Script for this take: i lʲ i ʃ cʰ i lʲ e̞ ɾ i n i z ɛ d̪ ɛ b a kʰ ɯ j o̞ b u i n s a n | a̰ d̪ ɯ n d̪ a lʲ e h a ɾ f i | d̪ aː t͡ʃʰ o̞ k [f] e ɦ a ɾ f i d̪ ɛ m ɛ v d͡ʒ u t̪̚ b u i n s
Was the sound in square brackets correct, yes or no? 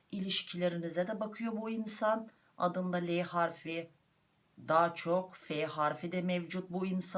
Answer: yes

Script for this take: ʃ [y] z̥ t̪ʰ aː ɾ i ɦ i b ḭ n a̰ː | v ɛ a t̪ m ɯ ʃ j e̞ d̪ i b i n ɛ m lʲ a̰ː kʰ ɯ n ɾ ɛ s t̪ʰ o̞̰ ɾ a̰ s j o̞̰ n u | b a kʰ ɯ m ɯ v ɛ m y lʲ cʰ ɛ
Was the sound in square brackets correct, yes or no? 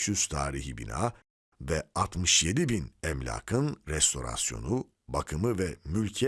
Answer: yes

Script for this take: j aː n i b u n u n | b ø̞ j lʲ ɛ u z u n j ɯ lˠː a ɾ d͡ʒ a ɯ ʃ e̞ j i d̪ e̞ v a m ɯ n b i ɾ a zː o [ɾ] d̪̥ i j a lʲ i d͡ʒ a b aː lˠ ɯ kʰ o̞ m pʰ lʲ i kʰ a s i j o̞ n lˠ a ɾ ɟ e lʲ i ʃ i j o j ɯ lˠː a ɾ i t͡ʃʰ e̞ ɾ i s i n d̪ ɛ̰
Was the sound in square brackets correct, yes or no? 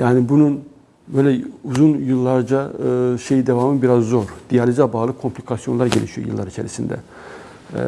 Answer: yes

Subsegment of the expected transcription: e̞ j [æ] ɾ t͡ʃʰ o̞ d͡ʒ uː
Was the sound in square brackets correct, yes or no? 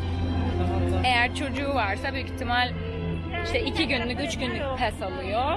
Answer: yes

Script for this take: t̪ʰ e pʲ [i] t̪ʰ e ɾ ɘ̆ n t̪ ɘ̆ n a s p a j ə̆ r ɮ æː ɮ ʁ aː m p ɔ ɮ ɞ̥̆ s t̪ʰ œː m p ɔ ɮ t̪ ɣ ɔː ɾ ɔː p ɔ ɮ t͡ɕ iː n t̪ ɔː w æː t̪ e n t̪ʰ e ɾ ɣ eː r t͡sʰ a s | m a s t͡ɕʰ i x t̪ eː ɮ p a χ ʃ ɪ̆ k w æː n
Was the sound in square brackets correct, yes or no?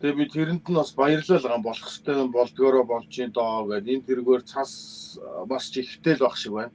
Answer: yes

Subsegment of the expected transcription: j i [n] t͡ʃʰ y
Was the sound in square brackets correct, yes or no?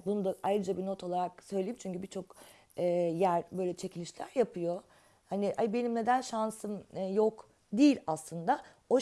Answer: no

